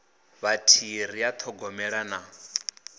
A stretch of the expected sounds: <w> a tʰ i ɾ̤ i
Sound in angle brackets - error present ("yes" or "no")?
yes